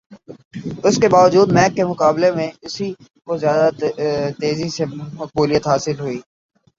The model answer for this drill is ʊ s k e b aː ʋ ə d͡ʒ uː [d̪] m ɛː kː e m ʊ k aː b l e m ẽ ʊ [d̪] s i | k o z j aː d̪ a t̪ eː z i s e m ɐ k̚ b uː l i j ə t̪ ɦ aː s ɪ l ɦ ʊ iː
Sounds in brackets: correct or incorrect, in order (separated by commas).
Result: correct, incorrect